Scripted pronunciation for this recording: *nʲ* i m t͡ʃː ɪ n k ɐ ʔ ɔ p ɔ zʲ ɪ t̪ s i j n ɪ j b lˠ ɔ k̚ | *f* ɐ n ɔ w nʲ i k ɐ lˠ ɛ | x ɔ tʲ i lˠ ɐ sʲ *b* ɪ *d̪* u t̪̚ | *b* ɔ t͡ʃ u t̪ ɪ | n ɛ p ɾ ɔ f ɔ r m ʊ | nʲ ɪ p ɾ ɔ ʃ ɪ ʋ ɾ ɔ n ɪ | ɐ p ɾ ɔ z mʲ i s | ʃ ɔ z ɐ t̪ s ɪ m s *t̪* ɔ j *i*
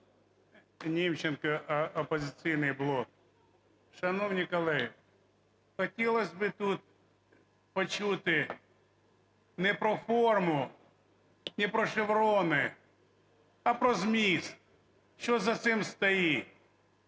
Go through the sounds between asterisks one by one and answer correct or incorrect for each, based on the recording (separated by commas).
correct, incorrect, correct, incorrect, incorrect, correct, correct